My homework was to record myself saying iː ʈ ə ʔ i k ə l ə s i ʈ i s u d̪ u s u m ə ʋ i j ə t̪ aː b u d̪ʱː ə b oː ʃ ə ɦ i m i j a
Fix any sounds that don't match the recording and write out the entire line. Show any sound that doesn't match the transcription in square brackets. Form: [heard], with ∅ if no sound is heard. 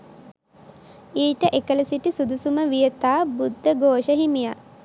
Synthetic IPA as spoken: iː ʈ ə ʔ [e] k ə l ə s i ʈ i s u d̪ u s u m ə ʋ i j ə t̪ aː b u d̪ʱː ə [ɡ] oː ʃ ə ɦ i m i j a

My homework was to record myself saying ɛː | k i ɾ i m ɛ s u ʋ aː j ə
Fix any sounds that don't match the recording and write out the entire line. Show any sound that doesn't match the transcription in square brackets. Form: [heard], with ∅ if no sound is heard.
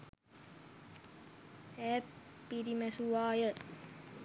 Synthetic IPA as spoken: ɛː | [p] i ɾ i m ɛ s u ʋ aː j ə

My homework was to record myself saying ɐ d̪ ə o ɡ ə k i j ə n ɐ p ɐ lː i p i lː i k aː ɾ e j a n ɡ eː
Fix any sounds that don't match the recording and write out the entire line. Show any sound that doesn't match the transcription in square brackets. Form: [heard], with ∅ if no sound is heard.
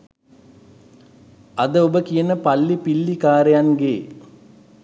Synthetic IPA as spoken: ɐ d̪ ə o [b] ə k i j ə n [ə] p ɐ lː i p i lː i k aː ɾ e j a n ɡ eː

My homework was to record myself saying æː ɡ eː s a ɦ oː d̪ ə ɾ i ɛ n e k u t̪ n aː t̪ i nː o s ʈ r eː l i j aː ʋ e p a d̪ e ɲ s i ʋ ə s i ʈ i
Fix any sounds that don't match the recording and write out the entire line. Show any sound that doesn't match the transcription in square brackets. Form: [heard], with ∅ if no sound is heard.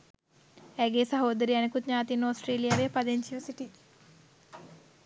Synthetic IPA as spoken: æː ɡ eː s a ɦ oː d̪ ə ɾ i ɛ n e k u t̪ [ɲ] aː t̪ i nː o s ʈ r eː l i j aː ʋ e p a d̪ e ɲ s i ʋ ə s i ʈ i

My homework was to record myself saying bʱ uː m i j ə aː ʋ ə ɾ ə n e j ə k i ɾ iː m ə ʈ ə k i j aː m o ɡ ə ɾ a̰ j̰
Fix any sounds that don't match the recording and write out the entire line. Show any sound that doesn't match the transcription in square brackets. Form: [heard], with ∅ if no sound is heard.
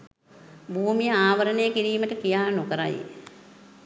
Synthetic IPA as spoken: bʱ uː m i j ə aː ʋ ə ɾ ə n e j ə k i ɾ iː m ə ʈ ə k i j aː [n] o [k] ə ɾ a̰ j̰

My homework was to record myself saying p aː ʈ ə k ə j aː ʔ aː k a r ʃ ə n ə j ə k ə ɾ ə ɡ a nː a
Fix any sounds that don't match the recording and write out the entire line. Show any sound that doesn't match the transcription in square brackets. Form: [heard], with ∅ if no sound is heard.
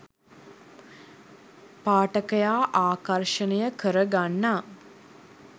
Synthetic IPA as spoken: p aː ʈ ə k ə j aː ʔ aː k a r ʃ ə n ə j ə k ə ɾ ə ɡ a nː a

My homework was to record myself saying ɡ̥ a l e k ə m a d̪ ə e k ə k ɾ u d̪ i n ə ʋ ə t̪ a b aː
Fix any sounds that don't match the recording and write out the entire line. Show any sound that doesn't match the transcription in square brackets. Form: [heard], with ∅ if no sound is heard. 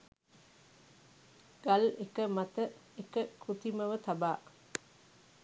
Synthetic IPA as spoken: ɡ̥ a l e k ə m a [t̪] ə e k ə k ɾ u [t̪] i [m] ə ʋ ə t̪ a b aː

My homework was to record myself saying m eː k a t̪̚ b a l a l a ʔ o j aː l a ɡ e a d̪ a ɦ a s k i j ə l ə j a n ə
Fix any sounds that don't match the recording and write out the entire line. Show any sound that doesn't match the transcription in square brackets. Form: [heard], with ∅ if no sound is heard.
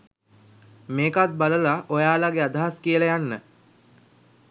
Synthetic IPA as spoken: m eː k a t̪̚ b a l [ə] l a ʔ o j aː l a ɡ e a d̪ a ɦ a s k i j ə l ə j a [nː] ə

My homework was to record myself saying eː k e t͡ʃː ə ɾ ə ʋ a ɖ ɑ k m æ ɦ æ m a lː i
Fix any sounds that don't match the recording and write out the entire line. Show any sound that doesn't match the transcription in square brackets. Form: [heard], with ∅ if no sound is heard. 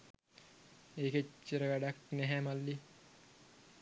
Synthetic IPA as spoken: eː k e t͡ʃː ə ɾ ə ʋ [æ] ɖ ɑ k [n] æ ɦ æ m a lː i

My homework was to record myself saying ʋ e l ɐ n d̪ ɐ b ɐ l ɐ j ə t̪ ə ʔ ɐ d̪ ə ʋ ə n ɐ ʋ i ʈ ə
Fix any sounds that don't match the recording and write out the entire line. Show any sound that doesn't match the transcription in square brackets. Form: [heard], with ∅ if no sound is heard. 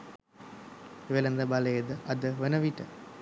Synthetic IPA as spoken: ʋ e l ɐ n d̪ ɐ b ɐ l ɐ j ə [d̪] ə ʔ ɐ d̪ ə ʋ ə n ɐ ʋ i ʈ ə

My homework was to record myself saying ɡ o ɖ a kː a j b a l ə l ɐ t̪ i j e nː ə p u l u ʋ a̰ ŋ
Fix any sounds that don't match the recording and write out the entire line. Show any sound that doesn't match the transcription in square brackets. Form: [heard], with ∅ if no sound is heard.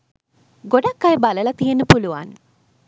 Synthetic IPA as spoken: ɡ o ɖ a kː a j b a l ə l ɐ t̪ i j e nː ə p u l u ʋ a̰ [n]

